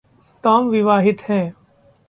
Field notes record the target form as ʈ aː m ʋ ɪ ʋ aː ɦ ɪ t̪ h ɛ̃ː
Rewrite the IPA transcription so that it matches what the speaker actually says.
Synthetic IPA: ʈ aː m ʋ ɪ ʋ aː ɦ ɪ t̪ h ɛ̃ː